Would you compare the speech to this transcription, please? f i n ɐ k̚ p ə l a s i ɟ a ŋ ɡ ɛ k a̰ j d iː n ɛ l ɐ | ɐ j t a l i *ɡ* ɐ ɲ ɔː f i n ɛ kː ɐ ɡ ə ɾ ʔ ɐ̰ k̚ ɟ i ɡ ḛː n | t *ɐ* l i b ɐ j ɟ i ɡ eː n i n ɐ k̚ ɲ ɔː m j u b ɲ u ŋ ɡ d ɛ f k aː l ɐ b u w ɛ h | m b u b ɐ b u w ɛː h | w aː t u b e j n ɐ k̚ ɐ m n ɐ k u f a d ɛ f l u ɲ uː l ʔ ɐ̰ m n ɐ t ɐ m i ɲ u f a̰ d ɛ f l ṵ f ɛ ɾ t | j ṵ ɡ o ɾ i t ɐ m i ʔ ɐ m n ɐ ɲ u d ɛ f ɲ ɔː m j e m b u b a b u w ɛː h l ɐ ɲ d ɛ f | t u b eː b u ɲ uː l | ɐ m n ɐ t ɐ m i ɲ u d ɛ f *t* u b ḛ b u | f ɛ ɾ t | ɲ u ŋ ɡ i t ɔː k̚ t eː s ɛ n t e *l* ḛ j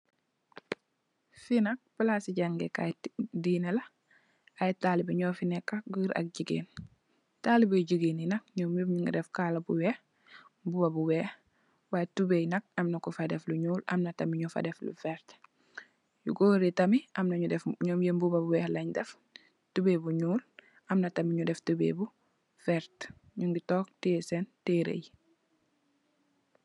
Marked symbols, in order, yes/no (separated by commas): no, no, yes, no